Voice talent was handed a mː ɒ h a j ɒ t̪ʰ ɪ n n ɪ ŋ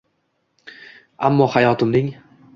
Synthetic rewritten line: a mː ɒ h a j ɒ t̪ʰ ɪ m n ɪ ŋ